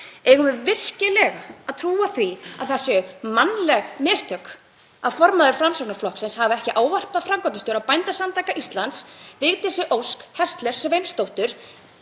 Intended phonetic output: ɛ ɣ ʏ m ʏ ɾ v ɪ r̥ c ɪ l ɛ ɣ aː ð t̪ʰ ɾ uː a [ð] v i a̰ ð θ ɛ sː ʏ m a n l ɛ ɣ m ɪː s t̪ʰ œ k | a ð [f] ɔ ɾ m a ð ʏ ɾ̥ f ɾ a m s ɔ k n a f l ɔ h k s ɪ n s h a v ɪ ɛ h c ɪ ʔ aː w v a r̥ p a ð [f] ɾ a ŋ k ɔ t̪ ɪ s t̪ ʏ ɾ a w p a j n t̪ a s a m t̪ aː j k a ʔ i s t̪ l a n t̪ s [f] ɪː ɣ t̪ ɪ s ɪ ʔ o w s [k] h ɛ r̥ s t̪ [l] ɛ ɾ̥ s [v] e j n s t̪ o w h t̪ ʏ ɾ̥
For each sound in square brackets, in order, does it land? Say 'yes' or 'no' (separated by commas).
no, yes, yes, no, yes, yes, yes